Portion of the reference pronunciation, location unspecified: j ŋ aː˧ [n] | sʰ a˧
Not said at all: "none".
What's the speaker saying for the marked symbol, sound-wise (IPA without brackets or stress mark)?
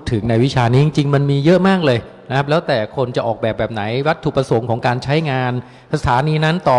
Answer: n